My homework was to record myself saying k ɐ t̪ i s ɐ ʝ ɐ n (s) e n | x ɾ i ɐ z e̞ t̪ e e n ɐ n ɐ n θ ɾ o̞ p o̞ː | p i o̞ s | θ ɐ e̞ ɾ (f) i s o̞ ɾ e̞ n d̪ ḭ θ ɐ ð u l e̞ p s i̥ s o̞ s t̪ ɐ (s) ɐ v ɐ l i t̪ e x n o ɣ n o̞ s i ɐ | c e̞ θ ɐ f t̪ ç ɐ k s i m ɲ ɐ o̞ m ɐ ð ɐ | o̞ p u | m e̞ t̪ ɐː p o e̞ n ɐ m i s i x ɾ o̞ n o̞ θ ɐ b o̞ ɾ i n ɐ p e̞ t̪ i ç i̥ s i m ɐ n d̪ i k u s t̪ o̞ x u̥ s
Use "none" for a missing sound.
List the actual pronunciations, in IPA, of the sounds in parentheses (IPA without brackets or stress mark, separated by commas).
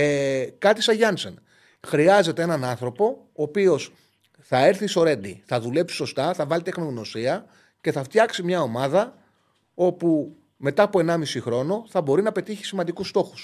s, θ, θ